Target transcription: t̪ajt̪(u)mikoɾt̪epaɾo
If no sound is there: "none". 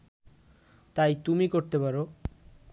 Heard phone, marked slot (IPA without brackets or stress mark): u